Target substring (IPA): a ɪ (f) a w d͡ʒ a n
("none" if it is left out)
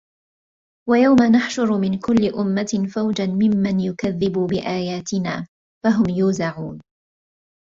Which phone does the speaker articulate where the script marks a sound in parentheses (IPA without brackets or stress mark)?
f